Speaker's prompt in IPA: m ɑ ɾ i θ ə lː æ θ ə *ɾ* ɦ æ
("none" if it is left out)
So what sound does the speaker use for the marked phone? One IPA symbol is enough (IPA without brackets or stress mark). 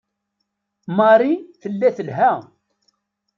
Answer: l